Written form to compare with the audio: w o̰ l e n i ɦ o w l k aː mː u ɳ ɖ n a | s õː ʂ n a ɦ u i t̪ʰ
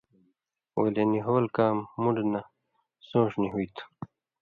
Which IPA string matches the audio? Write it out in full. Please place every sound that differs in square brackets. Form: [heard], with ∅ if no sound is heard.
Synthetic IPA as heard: w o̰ l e n i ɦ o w l k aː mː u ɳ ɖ n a | s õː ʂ n [i] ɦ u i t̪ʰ